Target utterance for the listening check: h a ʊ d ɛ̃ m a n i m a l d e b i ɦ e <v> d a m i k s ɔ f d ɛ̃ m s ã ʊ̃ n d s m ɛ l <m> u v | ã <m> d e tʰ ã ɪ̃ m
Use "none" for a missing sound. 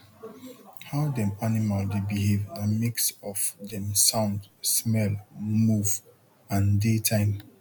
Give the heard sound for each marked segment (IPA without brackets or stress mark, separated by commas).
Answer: v, m, n